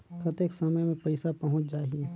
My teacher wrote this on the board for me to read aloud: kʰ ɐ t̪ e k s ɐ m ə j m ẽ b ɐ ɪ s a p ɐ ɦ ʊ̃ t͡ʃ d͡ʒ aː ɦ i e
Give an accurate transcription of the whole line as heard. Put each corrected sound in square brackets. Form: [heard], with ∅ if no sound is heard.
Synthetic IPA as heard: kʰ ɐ t̪ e k s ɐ m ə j m ẽ [p] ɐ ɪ s a p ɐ ɦ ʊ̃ t͡ʃ d͡ʒ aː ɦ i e